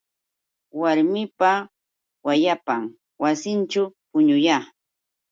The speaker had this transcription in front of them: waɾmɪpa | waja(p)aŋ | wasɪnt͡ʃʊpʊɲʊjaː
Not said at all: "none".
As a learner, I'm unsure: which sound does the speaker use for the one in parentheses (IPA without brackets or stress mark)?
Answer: p